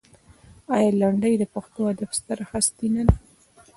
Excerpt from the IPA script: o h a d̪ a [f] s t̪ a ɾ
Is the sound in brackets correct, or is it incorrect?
correct